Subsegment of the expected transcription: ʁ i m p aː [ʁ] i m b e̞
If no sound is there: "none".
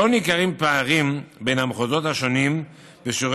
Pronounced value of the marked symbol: ʁ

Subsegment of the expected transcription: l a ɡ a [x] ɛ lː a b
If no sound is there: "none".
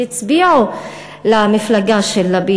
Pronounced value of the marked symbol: ʃ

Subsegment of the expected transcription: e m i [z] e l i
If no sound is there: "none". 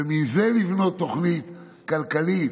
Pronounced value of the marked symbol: z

